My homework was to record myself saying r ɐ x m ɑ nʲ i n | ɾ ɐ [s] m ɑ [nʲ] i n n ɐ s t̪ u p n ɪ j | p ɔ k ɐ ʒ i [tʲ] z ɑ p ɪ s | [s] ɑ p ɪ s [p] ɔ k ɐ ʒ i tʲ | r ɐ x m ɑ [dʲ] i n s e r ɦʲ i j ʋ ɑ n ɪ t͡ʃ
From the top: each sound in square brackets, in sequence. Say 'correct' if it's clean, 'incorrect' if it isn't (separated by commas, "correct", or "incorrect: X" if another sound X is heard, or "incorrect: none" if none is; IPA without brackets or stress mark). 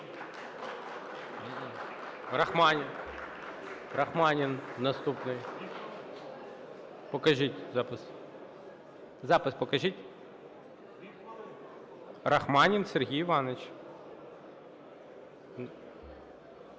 incorrect: x, correct, correct, incorrect: z, correct, incorrect: nʲ